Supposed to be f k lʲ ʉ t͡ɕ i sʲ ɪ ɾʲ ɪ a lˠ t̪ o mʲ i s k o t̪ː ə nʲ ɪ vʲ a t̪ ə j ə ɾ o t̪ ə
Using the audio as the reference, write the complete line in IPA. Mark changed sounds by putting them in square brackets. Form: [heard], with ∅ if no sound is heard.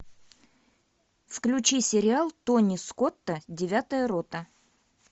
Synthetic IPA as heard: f k lʲ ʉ t͡ɕ i sʲ ɪ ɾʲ ɪ a lˠ t̪ o [nʲ] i s k o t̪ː ə [dʲ] ɪ vʲ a t̪ ə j ə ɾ o t̪ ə

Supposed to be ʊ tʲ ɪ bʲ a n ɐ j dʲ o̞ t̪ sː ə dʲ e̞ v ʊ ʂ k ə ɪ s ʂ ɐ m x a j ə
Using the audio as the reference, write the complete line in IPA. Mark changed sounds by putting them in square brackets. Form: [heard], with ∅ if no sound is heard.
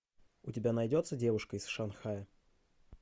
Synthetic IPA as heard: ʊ tʲ ɪ bʲ a n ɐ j dʲ o̞ t̪ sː ə dʲ e̞ v ʊ ʂ k ə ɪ s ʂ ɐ [n] x a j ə

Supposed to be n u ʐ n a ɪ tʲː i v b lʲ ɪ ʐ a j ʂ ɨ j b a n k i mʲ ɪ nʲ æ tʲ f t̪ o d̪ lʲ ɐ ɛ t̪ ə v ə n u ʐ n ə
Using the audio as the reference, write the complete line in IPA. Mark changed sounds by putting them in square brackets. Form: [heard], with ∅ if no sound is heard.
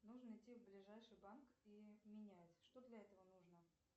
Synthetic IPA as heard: n u ʐ n [ə] ɪ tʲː i v b lʲ ɪ ʐ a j ʂ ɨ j b a n k i mʲ ɪ nʲ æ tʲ [ʂ] t̪ o d̪ lʲ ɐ ɛ t̪ ə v ə n u ʐ n ə

